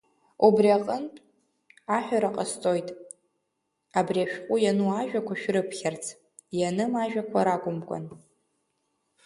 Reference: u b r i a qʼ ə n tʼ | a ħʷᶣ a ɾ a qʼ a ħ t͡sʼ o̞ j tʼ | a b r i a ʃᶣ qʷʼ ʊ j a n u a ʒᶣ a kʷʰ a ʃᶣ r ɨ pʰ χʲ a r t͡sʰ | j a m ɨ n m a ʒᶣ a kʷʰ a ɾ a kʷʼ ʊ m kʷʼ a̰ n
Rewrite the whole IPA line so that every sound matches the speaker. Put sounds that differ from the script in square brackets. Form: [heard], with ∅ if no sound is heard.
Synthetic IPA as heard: u b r i a qʼ ə n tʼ | a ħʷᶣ a ɾ a qʼ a [s] t͡sʼ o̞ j tʼ | a b r i a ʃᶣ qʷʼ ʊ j a n u a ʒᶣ a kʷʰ a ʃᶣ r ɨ pʰ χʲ a r t͡sʰ | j a [n] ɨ [∅] m a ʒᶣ a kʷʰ a ɾ a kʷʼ ʊ m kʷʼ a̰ n